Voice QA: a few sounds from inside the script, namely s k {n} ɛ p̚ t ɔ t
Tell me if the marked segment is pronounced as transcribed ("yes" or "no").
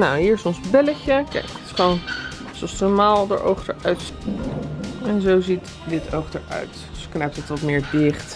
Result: yes